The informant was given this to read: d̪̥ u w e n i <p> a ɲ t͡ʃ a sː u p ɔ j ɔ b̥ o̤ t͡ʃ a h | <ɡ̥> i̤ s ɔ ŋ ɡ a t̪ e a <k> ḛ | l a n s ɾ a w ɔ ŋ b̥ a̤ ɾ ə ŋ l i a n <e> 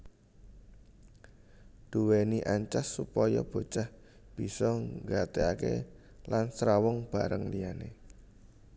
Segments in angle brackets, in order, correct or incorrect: incorrect, incorrect, correct, correct

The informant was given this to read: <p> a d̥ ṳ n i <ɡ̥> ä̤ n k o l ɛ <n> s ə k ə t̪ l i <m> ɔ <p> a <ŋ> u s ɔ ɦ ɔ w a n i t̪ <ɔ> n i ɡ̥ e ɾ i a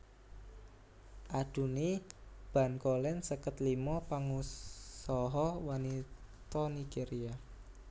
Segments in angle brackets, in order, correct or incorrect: incorrect, incorrect, correct, correct, correct, correct, correct

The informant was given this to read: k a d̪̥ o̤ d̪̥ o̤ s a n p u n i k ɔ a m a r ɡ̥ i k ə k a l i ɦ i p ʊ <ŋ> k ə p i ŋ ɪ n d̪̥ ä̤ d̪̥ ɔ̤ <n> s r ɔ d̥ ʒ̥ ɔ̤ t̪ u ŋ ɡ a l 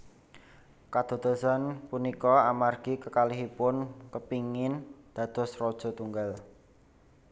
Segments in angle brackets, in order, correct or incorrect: incorrect, incorrect

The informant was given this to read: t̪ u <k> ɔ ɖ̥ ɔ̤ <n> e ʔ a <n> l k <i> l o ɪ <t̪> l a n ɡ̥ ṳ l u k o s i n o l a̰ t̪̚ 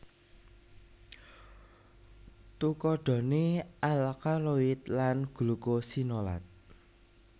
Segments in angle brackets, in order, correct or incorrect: correct, correct, incorrect, incorrect, correct

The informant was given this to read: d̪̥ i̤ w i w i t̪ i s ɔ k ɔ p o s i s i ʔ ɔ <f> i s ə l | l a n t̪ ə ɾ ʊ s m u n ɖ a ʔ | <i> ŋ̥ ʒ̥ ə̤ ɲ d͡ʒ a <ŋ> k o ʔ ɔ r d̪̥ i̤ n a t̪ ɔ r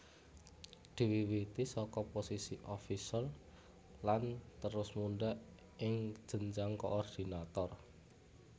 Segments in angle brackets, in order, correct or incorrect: correct, incorrect, correct

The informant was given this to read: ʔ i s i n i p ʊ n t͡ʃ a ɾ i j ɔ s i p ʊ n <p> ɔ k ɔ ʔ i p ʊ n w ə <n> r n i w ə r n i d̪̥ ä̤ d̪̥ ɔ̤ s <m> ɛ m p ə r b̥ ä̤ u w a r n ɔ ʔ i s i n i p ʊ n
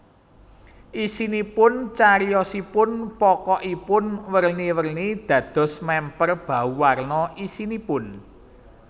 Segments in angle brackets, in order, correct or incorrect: correct, incorrect, correct

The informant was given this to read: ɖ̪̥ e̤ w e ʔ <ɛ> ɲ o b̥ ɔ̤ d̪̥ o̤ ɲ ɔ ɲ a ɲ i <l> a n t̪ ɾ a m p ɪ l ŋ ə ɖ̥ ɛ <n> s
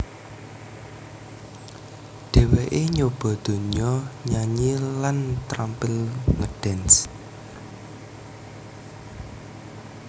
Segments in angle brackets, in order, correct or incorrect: incorrect, correct, correct

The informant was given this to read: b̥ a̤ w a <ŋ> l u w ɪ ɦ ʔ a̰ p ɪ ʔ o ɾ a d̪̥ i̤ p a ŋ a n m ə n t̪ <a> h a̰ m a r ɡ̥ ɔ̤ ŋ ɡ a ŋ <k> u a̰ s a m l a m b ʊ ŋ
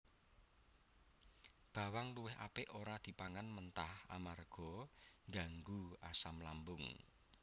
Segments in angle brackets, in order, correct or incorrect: correct, correct, incorrect

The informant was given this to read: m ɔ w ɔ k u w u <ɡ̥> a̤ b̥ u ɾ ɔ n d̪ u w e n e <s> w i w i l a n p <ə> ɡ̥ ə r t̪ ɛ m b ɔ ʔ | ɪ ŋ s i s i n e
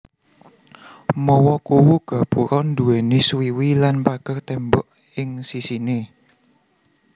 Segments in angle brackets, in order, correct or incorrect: correct, correct, incorrect

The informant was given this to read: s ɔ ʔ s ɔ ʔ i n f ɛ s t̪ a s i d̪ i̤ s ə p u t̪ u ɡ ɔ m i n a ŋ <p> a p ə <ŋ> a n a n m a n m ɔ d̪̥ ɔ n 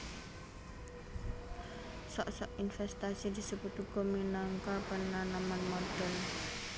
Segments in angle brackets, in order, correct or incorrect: incorrect, incorrect

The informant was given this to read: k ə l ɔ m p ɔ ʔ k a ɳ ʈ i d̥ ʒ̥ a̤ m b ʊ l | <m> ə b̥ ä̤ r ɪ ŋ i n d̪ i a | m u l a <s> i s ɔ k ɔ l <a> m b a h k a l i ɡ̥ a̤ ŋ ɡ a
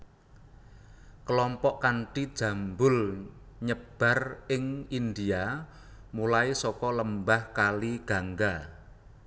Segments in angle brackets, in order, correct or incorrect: incorrect, incorrect, incorrect

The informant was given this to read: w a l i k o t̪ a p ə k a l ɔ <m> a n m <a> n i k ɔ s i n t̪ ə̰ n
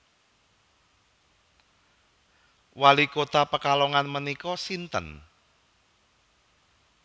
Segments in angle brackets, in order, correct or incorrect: incorrect, incorrect

